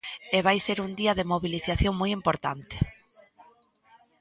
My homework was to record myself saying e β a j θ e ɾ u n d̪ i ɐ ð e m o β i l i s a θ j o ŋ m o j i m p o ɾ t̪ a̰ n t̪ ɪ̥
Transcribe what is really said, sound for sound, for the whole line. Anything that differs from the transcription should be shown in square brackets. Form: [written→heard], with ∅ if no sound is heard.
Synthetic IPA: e β a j [θ→s] e ɾ u n d̪ i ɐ ð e m o β i l i [s→θ] a θ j o ŋ m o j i m p o ɾ t̪ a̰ n t̪ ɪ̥